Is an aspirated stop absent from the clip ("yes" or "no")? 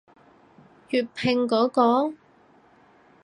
no